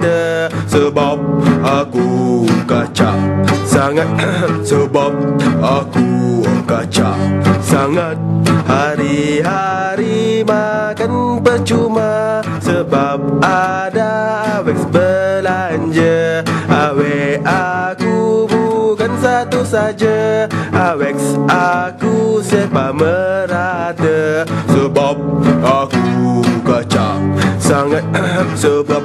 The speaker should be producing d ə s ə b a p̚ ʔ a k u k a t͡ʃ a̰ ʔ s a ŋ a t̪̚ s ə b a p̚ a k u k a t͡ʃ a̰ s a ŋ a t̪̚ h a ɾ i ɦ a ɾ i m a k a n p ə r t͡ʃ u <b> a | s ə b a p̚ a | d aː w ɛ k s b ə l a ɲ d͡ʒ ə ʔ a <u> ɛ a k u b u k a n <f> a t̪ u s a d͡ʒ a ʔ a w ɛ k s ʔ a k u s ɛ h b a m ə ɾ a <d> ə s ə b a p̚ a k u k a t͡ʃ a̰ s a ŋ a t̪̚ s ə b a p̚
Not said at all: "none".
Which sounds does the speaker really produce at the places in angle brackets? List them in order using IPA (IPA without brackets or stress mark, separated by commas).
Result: m, w, s, d